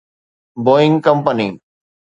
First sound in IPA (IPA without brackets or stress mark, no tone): b